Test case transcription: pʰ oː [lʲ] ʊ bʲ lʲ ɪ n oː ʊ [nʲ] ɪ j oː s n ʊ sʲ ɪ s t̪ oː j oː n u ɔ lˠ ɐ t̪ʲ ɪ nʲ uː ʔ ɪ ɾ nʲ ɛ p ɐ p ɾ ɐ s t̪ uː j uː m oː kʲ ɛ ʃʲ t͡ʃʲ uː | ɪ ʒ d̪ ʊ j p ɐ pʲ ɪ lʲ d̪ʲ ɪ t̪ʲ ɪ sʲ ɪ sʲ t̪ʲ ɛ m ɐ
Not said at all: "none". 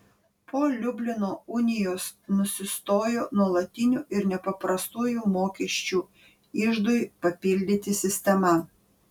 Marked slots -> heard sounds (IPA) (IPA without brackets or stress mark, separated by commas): lʲ, nʲ